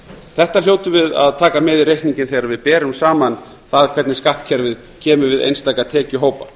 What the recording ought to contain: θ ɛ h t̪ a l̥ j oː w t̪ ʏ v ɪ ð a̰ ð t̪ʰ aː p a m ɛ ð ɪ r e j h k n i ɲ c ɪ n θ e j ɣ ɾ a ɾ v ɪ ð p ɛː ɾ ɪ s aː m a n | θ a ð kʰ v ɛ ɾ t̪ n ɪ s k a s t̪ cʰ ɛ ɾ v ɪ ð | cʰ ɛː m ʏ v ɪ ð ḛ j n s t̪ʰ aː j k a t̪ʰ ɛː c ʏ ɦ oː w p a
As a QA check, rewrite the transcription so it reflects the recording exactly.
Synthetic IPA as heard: θ ɛ h t̪ a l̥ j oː w t̪ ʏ v ɪ ð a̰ ð t̪ʰ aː k a m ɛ ð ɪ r e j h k n i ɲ c ɪ n θ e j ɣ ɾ a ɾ v ɪ ð p ɛː ɾ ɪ s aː m a n | θ a ð kʰ v ɛ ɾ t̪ n ɪ s k a h t̪ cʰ ɛ ɾ v ɪ ð | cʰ ɛː m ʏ v ɪ ð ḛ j n s t̪ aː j k a t̪ʰ ɛː c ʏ ɦ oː w p a